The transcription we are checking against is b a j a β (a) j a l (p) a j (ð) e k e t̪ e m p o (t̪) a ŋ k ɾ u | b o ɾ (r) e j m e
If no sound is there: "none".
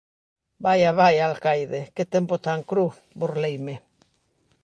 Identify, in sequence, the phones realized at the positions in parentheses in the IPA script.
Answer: a, k, ð, t̪, l

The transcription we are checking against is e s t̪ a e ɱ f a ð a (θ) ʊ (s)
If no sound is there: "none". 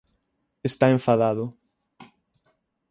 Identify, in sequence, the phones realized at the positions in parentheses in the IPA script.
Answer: ð, none

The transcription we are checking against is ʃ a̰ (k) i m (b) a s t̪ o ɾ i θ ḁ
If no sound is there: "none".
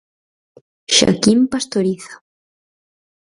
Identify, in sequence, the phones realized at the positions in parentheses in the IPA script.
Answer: k, p

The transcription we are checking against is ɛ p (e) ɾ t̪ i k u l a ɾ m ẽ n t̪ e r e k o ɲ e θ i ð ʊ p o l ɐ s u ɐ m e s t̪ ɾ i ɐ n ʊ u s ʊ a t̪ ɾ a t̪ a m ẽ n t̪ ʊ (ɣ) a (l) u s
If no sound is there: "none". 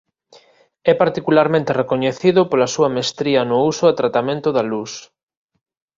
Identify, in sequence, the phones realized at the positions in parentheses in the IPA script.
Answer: a, ð, l

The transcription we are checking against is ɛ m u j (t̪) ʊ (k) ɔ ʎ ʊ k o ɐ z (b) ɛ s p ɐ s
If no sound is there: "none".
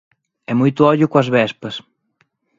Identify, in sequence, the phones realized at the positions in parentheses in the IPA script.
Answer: t̪, none, β

